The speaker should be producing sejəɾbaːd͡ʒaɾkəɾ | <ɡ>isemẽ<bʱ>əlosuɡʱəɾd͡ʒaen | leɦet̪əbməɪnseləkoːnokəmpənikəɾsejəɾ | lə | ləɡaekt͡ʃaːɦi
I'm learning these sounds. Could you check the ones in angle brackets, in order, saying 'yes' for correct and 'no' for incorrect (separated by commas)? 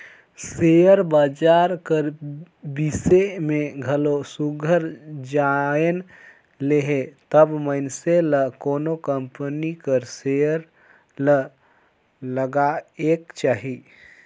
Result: no, no